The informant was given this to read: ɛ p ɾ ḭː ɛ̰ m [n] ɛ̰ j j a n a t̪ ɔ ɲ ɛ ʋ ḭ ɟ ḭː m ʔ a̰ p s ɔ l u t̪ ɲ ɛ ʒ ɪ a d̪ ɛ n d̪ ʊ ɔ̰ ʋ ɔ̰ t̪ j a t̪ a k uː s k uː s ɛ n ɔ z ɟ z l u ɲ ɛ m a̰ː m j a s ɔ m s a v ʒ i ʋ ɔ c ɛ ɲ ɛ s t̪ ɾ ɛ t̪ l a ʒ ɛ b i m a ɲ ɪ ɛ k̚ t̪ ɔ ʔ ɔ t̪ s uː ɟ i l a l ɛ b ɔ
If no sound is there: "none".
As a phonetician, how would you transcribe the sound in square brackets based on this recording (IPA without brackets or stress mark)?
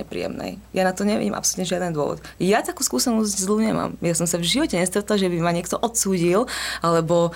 n